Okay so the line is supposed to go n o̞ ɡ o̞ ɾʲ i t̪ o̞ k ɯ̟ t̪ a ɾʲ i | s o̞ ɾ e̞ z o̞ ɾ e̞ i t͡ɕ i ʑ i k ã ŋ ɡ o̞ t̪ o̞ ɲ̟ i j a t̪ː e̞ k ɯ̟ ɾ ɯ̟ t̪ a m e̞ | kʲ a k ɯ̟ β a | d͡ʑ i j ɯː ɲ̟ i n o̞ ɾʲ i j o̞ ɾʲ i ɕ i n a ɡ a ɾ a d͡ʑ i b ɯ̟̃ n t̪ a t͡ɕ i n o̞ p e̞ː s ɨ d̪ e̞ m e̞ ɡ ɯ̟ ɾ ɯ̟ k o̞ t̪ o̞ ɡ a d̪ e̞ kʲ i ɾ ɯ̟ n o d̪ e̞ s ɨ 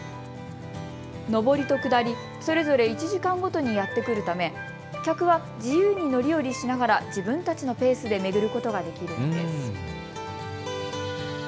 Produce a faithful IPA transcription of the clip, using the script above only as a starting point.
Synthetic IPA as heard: n o̞ b o̞ ɾʲ i t̪ o̞ k ɯ̟ d̪ a ɾʲ i | s o̞ ɾ e̞ z o̞ ɾ e̞ i t͡ɕ i ʑ i k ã ŋ ɡ o̞ t̪ o̞ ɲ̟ i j a t̪ː e̞ k ɯ̟ ɾ ɯ̟ t̪ a m e̞ | kʲ a k ɯ̟ β a | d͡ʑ i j ɯː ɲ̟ i n o̞ ɾʲ i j o̞ ɾʲ i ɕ i n a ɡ a ɾ a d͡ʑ i b ɯ̟̃ n t̪ a t͡ɕ i n o̞ p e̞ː s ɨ d̪ e̞ m e̞ ɡ ɯ̟ ɾ ɯ̟ k o̞ t̪ o̞ ɡ a d̪ e̞ kʲ i ɾ ɯ̟ n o d̪ e̞ s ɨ